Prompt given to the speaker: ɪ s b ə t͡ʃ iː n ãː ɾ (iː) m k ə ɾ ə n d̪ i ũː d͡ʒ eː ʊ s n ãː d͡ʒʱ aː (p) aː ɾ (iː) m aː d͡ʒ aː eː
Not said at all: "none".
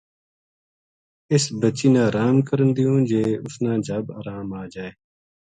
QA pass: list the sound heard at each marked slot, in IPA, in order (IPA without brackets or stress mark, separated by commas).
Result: aː, b, aː